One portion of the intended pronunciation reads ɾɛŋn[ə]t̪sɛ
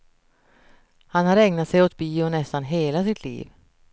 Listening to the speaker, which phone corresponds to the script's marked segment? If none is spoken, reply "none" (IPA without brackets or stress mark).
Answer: a